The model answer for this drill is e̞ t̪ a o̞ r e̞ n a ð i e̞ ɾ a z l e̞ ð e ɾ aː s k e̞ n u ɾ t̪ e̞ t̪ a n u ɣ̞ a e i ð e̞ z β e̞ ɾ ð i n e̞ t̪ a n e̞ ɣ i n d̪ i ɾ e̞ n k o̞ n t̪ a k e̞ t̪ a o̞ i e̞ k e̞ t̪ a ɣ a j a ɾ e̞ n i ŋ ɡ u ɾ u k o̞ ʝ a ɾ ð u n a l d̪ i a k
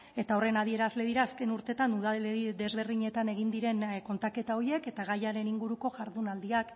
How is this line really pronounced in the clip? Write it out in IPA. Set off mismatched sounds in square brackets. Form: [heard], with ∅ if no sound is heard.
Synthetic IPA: e̞ t̪ a o̞ r e̞ n a ð i e̞ ɾ a z l e̞ ð [i] ɾ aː s k e̞ n u ɾ t̪ e̞ t̪ a n u [ð̞] a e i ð e̞ z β e̞ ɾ ð i [ɲ] e̞ t̪ a n e̞ ɣ i n d̪ i ɾ e̞ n k o̞ n t̪ a k e̞ t̪ a o̞ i e̞ k e̞ t̪ a ɣ a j a ɾ e̞ n i ŋ ɡ u ɾ u k o̞ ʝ a ɾ ð u n a l d̪ i a k